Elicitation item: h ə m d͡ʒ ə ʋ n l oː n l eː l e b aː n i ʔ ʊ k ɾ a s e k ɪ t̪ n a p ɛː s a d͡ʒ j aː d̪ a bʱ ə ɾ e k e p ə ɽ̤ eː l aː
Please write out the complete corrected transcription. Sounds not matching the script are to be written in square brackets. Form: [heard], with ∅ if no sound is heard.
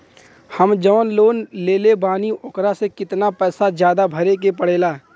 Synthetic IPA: h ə m d͡ʒ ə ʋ n l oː n l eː l e b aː n i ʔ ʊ k ɾ a s e k ɪ t̪ n a p ɛː s a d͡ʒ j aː d̪ a bʱ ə ɾ e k e p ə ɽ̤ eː l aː